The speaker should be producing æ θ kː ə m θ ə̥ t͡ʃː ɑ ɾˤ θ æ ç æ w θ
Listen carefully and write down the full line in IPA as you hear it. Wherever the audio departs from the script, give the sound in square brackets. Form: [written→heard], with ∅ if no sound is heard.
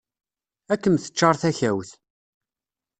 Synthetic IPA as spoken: æ [θ→∅] kː ə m θ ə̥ t͡ʃː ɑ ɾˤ θ æ ç æ w θ